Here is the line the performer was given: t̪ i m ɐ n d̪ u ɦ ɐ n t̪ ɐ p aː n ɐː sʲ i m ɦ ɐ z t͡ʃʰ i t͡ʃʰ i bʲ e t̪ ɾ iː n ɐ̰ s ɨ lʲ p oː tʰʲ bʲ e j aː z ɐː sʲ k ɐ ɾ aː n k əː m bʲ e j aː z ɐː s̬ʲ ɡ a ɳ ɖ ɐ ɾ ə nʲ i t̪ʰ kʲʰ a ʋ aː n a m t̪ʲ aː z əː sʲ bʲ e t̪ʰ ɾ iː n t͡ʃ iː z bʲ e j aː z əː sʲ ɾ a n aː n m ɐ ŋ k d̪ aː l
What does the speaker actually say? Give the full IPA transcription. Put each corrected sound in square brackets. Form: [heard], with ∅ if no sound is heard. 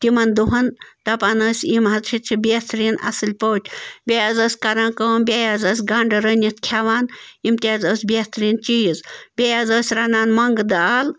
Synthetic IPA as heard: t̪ i m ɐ n d̪ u ɦ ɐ n t̪ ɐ p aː n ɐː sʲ i m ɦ ɐ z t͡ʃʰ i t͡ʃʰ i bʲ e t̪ ɾ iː n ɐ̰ s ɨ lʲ p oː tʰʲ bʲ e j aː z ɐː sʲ k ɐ ɾ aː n k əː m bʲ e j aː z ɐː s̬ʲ ɡ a ɳ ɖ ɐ ɾ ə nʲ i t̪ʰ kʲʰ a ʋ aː n [i] m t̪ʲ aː z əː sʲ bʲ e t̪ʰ ɾ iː n t͡ʃ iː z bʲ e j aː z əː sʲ ɾ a n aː n m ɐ ŋ [ɡ] d̪ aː l